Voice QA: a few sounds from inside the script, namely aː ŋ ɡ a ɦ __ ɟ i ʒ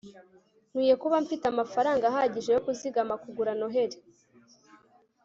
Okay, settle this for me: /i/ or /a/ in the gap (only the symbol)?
a